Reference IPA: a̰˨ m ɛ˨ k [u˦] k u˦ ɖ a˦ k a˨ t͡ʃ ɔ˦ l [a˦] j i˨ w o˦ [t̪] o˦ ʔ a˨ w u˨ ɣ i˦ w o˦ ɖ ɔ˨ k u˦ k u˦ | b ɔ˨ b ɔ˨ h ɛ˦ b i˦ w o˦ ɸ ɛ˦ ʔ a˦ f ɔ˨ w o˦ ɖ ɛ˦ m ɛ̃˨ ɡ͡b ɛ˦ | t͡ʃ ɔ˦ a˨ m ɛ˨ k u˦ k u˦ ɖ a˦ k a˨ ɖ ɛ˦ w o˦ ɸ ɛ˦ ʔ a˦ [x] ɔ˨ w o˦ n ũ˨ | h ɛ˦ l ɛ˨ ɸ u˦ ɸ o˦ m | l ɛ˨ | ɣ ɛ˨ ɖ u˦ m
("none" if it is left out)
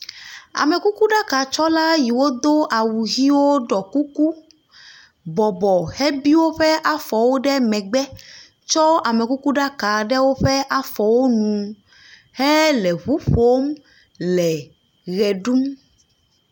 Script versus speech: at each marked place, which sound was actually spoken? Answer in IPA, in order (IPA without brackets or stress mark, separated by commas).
u˦, a˦, d̪, f